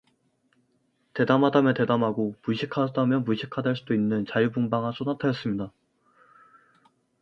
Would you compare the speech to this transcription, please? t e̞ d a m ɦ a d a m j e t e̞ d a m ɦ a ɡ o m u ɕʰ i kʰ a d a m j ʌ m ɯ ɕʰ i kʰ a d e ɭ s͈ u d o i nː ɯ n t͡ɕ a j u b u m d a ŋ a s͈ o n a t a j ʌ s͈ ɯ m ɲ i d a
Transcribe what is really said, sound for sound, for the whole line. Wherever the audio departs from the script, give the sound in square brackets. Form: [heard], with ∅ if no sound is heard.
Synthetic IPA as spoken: t e̞ d a m ɦ a d a m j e t e̞ d a m ɦ a ɡ o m u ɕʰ i kʰ a d a m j ʌ m [u] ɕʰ i kʰ a d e ɭ s͈ u d o i nː ɯ n t͡ɕ a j u b u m [b] a ŋ a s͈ o n a [tʰ] a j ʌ s͈ ɯ m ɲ i d a